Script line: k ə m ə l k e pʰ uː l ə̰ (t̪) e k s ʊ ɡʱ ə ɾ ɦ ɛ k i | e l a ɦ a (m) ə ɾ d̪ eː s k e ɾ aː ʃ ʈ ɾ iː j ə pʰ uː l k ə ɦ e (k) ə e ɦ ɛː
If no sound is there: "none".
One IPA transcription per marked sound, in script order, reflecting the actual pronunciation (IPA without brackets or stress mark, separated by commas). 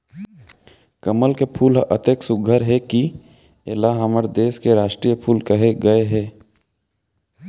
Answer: t̪, m, ɡ